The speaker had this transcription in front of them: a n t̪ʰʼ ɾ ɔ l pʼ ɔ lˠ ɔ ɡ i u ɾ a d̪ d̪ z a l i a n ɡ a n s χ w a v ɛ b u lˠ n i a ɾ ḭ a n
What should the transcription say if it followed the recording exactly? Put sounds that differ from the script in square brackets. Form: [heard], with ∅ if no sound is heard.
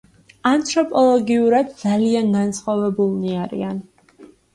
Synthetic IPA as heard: a n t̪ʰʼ ɾ ɔ [∅] pʼ ɔ lˠ ɔ ɡ i u ɾ a d̪ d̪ z a l i a n ɡ a n s χ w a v ɛ b u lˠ n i a ɾ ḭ a n